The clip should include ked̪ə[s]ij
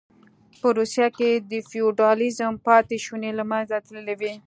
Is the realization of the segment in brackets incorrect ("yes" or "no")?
yes